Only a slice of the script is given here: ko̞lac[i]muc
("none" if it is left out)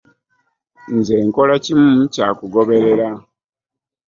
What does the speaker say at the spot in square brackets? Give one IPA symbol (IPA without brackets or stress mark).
i